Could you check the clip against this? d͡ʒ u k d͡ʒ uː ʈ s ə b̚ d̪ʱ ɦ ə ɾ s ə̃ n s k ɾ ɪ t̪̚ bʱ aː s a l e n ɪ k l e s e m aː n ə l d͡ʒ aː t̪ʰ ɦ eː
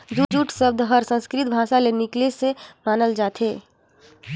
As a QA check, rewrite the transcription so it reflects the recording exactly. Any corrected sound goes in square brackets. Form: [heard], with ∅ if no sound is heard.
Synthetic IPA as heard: d͡ʒ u [∅] d͡ʒ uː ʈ s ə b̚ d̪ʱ ɦ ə ɾ s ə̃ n s k ɾ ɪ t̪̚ bʱ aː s a l e n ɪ k l e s e m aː n ə l d͡ʒ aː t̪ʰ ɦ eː